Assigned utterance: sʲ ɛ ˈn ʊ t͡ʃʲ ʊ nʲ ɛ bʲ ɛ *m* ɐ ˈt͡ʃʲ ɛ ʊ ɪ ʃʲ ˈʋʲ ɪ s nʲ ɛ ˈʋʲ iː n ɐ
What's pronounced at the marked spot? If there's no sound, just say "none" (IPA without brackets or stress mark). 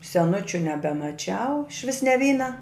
m